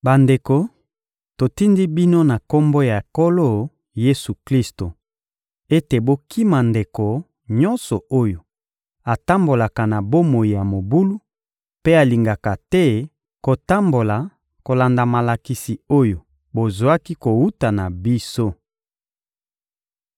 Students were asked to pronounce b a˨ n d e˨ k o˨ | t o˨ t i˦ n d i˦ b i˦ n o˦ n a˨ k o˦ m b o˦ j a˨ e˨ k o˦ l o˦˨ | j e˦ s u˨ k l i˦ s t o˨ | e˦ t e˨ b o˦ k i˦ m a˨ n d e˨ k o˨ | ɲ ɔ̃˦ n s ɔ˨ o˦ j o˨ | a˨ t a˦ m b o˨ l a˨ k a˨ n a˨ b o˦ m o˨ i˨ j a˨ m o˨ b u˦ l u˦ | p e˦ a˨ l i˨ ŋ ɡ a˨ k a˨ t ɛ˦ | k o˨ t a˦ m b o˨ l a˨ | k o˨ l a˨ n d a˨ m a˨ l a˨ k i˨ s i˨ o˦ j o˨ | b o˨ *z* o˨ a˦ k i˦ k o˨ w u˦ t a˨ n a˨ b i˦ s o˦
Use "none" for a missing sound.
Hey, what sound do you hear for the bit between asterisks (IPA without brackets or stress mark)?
z